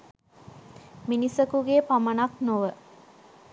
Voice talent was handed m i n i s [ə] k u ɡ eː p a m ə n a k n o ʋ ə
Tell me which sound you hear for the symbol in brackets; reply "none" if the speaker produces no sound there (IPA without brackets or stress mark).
ə